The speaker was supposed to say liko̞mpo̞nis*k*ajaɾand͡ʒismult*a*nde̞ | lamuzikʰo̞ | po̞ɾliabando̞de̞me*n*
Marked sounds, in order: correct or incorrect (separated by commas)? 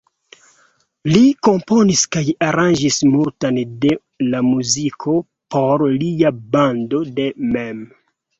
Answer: correct, correct, incorrect